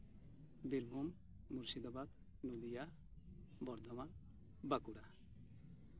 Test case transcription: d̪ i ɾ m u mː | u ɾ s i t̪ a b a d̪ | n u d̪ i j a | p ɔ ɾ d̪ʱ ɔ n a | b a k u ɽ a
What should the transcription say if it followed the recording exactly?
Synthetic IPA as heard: d̪ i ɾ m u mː | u ɾ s i d̪ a b a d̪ | n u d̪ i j a | b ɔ ɾ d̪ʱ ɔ m a | b a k u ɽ a